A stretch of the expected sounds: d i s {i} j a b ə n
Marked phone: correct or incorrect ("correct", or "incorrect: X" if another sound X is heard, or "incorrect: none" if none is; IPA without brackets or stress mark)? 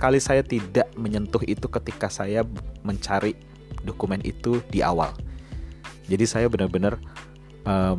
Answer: incorrect: a